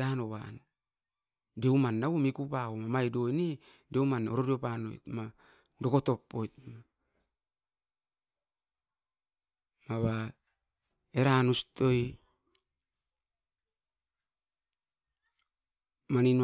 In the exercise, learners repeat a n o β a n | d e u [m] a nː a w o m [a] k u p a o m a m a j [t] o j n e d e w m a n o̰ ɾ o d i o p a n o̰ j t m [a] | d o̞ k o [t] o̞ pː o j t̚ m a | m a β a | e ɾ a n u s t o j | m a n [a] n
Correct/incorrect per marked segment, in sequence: correct, incorrect: i, incorrect: d, correct, correct, incorrect: i

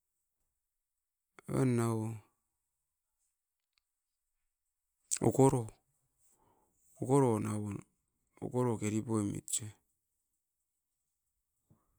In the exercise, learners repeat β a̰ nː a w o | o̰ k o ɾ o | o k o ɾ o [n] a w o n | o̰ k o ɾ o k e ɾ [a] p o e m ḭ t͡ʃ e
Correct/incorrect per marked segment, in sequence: correct, incorrect: i

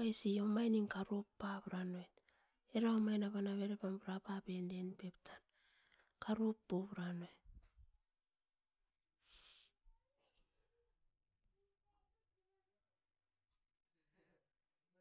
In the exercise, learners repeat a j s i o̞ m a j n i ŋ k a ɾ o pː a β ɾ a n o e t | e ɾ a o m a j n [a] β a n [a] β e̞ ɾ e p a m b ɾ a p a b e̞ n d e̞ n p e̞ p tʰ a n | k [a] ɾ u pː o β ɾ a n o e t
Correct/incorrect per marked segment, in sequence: correct, correct, correct

